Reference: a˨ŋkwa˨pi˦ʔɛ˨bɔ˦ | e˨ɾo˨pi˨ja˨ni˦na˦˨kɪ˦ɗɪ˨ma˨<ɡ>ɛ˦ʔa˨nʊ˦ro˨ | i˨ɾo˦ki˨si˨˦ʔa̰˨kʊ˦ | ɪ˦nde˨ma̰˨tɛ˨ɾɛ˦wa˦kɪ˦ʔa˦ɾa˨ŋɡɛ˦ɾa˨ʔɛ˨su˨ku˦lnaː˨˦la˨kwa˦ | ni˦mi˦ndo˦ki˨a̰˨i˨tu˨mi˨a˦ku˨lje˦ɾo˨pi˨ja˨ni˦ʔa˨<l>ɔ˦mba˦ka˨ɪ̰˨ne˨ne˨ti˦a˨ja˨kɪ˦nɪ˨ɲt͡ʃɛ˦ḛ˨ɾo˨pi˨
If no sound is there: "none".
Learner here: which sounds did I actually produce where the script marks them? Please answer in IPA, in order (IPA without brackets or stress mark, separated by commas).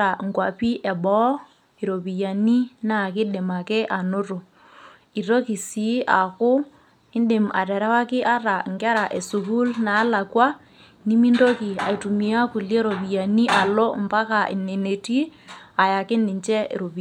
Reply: k, l